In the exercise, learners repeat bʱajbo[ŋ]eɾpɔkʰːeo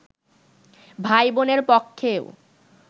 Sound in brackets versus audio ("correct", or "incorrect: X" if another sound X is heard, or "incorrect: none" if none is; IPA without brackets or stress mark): incorrect: n